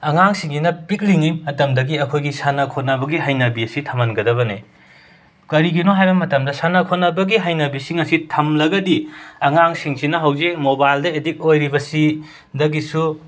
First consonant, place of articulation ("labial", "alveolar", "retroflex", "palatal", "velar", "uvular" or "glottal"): velar